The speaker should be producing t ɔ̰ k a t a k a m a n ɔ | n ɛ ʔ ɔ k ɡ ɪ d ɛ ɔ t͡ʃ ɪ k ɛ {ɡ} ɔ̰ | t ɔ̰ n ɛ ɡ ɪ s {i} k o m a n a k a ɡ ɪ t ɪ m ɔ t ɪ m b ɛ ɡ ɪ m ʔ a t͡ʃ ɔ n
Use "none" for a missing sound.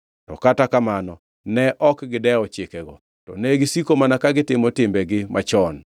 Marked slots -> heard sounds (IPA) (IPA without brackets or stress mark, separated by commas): ɡ, i